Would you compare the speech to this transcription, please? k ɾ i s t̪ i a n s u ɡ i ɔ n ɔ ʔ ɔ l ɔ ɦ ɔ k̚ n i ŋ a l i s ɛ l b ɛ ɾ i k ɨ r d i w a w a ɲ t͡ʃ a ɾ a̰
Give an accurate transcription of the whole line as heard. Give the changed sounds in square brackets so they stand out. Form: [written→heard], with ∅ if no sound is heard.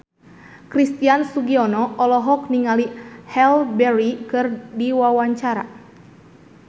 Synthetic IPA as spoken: k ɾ i s t̪ i a n s u ɡ i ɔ n ɔ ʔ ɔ l ɔ ɦ ɔ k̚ n i ŋ a l i [s→h] ɛ l b ɛ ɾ i k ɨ r d i w a w a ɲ t͡ʃ a ɾ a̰

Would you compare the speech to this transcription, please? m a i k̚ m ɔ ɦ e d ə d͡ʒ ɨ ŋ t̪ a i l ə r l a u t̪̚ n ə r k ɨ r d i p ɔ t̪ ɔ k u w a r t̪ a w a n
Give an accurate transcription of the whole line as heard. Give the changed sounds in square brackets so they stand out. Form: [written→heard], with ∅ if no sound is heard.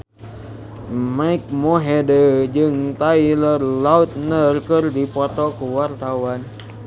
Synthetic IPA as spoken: m a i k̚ m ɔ ɦ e d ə d͡ʒ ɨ ŋ t̪ a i l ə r l a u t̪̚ n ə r k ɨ r d i p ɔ t̪ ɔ k u w a r t̪ a w a n

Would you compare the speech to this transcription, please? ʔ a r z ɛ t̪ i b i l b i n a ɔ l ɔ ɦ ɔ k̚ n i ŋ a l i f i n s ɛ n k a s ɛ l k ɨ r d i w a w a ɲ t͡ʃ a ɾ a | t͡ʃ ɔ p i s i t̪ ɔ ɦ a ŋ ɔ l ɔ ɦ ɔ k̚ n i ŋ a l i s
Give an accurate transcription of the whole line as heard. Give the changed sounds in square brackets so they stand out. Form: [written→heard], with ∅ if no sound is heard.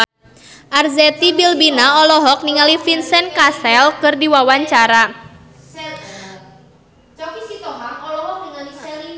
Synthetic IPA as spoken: ʔ a r z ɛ t̪ i b i l b i n a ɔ l ɔ ɦ ɔ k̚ n i ŋ a l i f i n s ɛ n k a s ɛ l k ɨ r d i w a w a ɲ t͡ʃ a ɾ a | t͡ʃ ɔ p i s i t̪ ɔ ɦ a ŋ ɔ l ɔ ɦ ɔ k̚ n i ŋ a l i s

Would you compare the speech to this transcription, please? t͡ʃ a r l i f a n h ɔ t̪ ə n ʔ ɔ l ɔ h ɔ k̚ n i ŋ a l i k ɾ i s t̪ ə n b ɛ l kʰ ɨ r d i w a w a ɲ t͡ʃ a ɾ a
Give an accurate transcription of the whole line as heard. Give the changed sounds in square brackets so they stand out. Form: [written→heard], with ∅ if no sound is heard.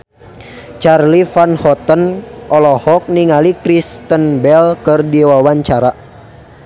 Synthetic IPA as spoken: t͡ʃ a r l i f a n h ɔ t̪ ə n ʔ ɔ l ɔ h ɔ k̚ n i ŋ a l i k ɾ i s t̪ ə n b ɛ l [kʰ→k] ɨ r d i w a w a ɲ t͡ʃ a ɾ a

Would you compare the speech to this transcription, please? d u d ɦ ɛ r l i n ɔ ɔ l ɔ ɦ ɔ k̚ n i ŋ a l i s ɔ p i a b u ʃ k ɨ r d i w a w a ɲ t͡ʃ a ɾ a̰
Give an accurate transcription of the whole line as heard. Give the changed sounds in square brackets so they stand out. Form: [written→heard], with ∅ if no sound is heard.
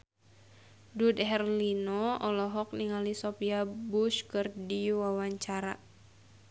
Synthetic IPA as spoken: d u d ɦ ɛ r l i n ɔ ɔ l ɔ ɦ ɔ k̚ n i ŋ a l i s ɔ p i a b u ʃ k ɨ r d i w a w a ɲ t͡ʃ a ɾ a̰

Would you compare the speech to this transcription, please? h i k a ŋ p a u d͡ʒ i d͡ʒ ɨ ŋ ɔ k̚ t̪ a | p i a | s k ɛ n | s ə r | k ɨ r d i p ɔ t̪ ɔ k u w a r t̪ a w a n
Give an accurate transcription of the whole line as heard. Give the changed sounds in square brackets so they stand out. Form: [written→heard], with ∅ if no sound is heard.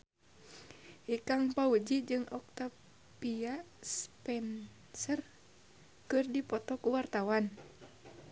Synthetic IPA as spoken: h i k a ŋ p a u d͡ʒ i d͡ʒ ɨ ŋ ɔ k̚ t̪ a | p i a | s [k→p] ɛ n | s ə r | k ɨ r d i p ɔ t̪ ɔ k u w a r t̪ a w a n

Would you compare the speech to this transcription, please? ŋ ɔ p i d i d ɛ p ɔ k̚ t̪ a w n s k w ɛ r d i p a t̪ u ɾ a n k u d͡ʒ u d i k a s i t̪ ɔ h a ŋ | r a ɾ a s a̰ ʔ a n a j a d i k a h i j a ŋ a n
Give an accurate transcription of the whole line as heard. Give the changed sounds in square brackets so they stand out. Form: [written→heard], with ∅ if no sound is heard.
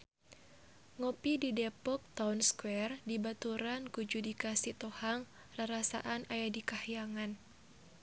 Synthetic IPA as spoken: ŋ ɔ p i d i d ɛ p ɔ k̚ t̪ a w n s k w ɛ r d i [p→b] a t̪ u ɾ a n k u d͡ʒ u d i k a s i t̪ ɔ h a ŋ | r a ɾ a s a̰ ʔ a n a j a d i k a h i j a ŋ a n

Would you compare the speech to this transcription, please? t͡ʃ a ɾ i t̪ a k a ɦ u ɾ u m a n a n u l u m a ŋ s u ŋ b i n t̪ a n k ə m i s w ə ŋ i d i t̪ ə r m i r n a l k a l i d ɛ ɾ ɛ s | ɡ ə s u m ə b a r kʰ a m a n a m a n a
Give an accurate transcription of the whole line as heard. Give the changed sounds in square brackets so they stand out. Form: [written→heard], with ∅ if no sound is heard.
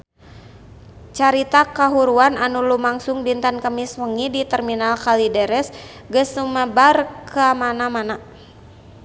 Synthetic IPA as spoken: t͡ʃ a ɾ i t̪ a k a ɦ u ɾ u [m→∅] a n a n u l u m a ŋ s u ŋ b i n t̪ a n k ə m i s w ə ŋ i d i t̪ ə r m i [r→∅] n a l k a l i d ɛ ɾ ɛ s | ɡ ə s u m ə b a r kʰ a m a n a m a n a

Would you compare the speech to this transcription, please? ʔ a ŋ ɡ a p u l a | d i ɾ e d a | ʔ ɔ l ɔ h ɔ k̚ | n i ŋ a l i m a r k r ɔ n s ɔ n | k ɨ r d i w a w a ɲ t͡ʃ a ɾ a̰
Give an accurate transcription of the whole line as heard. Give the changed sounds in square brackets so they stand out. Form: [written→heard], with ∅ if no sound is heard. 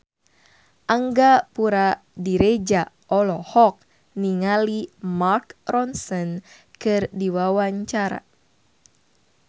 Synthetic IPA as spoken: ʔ a ŋ ɡ a p u [l→ɾ] a | d i ɾ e [d→d͡ʒ] a | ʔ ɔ l ɔ h ɔ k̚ | n i ŋ a l i m a r k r ɔ n s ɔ n | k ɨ r d i w a w a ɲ t͡ʃ a ɾ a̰

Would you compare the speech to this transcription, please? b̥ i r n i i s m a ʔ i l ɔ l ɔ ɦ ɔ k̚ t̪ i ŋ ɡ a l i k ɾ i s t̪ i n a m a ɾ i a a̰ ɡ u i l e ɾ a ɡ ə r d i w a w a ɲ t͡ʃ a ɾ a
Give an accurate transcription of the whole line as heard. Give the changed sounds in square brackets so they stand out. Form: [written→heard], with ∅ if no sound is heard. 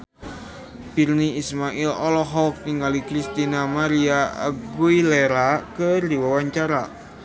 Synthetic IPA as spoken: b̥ i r n i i s m a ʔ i l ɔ l ɔ ɦ ɔ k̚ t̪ i ŋ ɡ a l i k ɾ i s t̪ i n a m a ɾ i a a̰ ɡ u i l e ɾ a [ɡ→k] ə r d i w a w a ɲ t͡ʃ a ɾ a

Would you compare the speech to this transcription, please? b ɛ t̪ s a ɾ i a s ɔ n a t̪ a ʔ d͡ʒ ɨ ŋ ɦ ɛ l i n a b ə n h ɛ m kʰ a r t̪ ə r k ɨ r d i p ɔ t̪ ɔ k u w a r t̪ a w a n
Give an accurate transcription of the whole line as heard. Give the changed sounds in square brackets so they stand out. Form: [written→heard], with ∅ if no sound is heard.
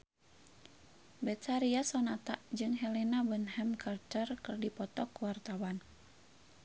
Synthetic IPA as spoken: b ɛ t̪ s a ɾ i a s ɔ n a t̪ a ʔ d͡ʒ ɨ ŋ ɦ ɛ l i n a b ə n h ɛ m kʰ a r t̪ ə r k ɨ r d i p ɔ t̪ ɔ k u w a r t̪ a w a n

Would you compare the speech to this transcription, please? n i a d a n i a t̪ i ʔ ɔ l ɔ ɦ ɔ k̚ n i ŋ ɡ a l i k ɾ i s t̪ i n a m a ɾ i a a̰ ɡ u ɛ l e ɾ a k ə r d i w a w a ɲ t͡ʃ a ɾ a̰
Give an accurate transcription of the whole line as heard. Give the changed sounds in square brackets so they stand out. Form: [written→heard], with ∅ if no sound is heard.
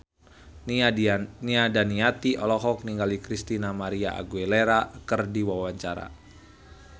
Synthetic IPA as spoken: n i a d a n i a t̪ i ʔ ɔ l ɔ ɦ ɔ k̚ n i ŋ ɡ a l i k ɾ i s t̪ i n a m a ɾ i a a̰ ɡ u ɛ l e ɾ a k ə r d i w a w a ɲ t͡ʃ a ɾ a̰

